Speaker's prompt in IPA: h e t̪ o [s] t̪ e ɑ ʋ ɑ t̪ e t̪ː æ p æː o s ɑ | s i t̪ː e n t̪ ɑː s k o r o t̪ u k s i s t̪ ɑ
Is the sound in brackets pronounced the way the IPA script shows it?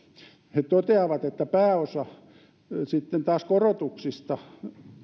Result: no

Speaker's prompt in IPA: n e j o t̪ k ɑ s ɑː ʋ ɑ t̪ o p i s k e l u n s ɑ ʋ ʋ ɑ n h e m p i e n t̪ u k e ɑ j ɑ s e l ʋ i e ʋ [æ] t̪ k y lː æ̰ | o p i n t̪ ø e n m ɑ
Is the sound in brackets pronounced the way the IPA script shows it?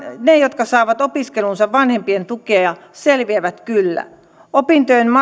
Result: yes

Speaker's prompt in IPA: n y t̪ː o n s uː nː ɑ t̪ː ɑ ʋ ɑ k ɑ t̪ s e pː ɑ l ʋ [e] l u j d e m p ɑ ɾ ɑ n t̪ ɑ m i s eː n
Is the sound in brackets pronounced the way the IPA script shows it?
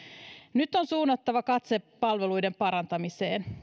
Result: yes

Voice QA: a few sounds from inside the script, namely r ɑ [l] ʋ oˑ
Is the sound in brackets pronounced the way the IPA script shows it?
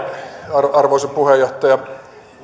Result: no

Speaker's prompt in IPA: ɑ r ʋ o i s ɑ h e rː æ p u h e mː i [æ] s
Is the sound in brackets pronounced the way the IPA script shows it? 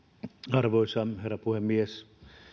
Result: no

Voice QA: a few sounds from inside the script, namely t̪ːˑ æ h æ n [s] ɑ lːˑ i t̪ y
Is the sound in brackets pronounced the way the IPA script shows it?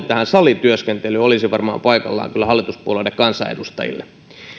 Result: yes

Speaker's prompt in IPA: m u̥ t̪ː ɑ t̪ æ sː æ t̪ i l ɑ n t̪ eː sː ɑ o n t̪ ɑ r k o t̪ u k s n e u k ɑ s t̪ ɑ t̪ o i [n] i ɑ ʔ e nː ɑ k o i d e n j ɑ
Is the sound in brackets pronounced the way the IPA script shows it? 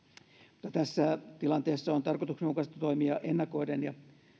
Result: no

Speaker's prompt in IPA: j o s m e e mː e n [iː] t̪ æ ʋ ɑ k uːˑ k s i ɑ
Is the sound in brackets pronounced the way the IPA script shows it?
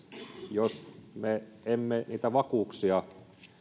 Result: yes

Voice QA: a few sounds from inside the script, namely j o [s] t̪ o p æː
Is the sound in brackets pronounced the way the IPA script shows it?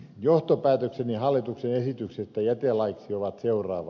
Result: no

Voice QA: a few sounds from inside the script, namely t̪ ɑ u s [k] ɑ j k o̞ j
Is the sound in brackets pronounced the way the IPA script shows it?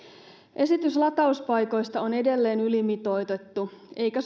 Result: no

